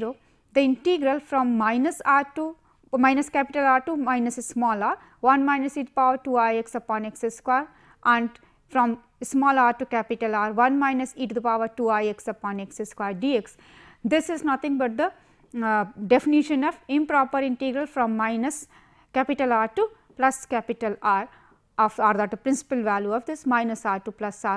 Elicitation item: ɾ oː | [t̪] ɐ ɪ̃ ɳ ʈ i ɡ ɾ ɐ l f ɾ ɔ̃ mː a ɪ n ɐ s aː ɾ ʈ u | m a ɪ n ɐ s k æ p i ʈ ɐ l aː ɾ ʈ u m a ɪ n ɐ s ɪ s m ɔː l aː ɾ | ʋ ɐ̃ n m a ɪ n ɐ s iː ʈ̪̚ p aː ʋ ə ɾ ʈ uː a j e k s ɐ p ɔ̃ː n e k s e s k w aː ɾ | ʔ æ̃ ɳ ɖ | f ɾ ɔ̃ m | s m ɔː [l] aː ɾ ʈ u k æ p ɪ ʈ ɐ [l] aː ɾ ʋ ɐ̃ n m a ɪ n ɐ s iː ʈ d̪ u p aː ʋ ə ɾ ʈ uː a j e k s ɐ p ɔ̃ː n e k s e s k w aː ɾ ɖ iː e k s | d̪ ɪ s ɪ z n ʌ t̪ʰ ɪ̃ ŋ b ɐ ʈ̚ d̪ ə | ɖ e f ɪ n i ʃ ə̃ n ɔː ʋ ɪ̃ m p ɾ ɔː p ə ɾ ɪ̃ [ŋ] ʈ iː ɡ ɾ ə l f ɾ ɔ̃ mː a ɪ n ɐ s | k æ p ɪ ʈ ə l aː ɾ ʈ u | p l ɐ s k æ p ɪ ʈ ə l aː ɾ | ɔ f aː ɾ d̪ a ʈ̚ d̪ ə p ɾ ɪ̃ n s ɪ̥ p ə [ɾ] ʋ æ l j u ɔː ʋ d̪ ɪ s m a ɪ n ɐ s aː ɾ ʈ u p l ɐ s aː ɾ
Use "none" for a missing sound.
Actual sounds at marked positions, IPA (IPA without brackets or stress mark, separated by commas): d̪, l, l, ɳ, l